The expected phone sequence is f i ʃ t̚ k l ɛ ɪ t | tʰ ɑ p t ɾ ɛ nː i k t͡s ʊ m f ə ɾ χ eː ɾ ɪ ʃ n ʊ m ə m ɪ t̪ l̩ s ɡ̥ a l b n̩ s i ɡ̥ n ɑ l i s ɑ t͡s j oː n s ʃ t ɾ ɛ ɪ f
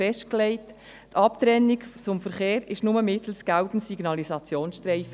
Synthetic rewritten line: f ɛ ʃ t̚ k l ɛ ɪ t | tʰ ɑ p t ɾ ɛ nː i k t͡s ʊ m f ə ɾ χ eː ɾ ɪ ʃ n ʊ m ə m ɪ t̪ l̩ s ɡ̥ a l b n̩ s i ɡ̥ n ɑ l i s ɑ t͡s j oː n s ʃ t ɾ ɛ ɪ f